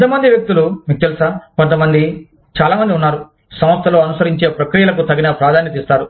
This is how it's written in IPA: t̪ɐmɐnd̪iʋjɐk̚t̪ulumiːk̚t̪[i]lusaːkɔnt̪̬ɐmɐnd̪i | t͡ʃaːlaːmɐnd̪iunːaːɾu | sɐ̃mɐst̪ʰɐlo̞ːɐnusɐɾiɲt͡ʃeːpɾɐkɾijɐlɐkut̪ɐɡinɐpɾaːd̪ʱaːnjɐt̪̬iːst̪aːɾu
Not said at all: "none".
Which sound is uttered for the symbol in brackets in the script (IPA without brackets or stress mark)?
e